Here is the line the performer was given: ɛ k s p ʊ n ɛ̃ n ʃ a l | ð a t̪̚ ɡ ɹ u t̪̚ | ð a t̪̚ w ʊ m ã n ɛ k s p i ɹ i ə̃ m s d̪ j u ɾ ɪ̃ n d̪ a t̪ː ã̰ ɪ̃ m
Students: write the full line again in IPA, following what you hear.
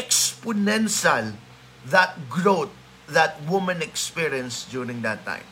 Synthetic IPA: ɛ k s p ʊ n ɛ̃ n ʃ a l | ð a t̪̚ ɡ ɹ o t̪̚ | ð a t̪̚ w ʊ m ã n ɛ k s p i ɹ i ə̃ n s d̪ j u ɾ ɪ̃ ŋ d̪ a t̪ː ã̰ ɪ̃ m